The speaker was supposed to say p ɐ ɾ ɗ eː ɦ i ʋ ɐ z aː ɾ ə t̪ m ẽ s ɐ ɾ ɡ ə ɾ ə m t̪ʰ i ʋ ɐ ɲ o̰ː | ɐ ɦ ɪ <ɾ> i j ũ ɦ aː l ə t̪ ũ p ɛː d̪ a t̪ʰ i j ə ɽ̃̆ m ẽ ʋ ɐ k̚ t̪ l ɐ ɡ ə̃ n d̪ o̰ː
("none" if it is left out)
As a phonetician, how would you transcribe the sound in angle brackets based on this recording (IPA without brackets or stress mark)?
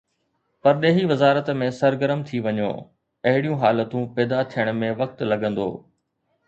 ɽ